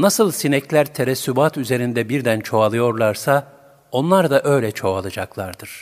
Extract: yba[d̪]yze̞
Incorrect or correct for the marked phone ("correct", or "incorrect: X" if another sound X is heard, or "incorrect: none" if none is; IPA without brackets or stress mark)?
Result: incorrect: t̪